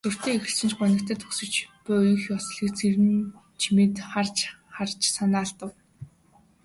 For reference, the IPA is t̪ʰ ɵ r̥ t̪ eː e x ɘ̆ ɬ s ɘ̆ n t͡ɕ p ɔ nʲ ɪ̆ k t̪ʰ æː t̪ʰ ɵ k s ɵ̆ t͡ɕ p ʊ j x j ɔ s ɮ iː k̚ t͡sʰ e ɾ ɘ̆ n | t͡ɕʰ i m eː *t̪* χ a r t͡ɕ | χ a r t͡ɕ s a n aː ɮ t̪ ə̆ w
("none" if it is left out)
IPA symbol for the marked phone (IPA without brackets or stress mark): t̪